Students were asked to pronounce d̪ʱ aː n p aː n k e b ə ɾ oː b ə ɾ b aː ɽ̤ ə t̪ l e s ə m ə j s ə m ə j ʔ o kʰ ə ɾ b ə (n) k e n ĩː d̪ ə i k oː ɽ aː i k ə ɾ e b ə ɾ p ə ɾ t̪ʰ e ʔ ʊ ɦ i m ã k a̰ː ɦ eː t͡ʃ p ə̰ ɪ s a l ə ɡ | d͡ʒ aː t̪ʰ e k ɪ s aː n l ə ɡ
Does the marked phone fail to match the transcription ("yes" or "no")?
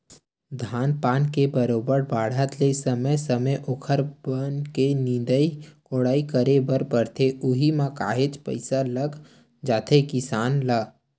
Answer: no